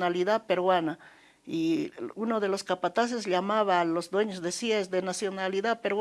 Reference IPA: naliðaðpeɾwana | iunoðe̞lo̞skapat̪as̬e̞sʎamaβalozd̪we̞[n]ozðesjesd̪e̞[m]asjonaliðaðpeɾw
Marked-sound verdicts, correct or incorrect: incorrect: ɲ, incorrect: n

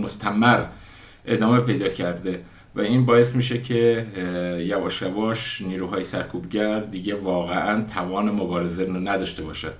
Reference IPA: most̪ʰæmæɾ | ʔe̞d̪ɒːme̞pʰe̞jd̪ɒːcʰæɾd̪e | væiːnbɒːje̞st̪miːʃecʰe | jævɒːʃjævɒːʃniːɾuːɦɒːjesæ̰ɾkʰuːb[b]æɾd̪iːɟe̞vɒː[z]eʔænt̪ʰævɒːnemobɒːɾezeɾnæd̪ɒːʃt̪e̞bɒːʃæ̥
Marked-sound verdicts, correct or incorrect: incorrect: ɟ, incorrect: ɣ

